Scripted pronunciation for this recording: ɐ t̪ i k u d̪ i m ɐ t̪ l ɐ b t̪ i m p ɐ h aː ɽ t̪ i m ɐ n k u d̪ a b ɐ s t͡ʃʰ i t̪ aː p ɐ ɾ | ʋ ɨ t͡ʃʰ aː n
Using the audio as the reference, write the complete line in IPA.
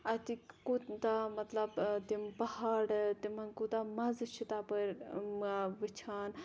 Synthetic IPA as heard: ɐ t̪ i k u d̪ a m ɐ t̪ l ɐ b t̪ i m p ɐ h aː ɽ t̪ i m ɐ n k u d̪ a m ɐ z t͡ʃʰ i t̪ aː p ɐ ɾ | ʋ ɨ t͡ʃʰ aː n